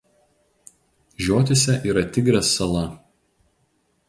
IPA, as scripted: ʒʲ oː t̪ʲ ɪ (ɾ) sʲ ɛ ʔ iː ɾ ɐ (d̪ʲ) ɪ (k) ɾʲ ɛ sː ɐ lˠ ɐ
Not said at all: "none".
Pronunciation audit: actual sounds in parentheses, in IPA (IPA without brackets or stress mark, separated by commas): none, t̪ʲ, ɡ